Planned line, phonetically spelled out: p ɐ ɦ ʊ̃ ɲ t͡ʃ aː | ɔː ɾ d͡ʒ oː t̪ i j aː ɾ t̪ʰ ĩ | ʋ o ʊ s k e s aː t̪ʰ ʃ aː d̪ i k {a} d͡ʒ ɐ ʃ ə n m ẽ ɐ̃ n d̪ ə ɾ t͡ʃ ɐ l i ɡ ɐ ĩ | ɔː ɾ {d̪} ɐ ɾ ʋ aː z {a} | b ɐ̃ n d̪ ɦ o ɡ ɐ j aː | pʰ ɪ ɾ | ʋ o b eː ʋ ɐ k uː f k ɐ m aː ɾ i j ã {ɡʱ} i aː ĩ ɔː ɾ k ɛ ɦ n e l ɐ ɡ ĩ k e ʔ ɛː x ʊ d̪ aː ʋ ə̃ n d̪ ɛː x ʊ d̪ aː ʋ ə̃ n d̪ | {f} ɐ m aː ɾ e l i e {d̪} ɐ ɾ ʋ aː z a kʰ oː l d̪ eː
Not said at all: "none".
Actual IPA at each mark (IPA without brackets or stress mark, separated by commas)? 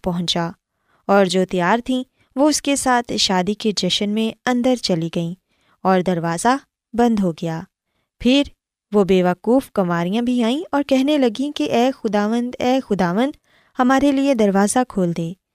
e, d̪, a, bʱ, h, d̪